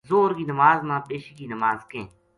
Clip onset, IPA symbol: z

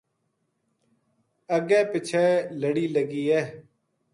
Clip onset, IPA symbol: ə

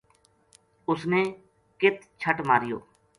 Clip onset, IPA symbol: ʊ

